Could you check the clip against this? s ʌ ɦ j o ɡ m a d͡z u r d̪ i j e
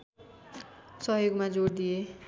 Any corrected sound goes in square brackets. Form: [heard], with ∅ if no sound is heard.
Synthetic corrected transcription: s ʌ ɦ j o ɡ m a d͡z [o] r d̪ i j e